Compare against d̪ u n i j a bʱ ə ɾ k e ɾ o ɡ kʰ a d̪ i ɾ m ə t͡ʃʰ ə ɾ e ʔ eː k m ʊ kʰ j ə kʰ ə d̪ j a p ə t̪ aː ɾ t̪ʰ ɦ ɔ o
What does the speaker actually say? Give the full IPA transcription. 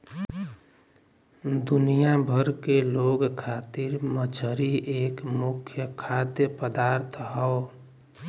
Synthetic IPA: d̪ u n i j a bʱ ə ɾ k e l o ɡ kʰ a t̪ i ɾ m ə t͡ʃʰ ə ɾ i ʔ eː k m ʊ kʰ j ə kʰ a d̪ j ə p ə d̪ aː ɾ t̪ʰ ɦ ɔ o